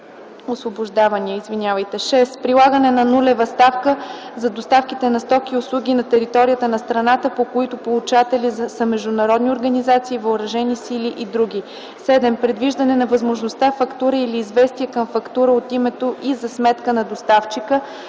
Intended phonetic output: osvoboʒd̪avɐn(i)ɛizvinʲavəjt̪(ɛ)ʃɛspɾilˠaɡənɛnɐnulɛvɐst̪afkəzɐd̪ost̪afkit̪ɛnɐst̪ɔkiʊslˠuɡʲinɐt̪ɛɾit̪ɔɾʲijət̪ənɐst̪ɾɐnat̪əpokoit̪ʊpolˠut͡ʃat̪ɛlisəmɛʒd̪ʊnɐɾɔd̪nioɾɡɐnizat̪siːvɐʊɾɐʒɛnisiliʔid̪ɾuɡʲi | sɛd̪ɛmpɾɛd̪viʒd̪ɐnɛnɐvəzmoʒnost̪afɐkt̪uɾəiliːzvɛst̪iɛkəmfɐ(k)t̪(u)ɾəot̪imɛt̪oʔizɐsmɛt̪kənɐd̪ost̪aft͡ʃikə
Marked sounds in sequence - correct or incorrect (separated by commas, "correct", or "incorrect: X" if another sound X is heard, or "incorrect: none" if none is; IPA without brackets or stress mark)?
correct, correct, correct, correct